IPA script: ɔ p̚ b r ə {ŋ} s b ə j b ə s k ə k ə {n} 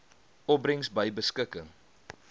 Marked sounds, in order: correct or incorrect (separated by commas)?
correct, incorrect